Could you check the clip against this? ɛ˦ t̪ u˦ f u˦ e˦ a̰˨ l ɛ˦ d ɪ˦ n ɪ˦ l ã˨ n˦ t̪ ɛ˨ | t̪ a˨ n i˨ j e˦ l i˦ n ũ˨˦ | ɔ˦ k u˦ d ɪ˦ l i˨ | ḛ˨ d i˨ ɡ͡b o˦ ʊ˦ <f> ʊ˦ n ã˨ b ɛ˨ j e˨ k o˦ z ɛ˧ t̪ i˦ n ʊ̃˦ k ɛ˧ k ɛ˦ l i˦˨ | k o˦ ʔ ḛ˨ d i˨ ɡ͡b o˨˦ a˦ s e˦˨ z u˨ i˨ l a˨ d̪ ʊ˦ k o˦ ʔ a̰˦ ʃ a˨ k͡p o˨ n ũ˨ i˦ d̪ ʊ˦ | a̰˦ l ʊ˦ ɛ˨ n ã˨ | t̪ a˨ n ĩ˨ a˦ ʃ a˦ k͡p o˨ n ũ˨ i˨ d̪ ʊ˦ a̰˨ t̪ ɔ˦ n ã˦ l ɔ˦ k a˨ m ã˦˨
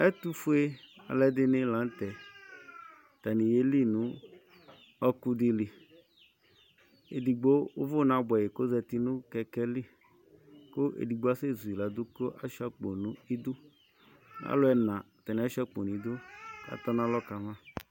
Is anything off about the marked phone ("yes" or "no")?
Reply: yes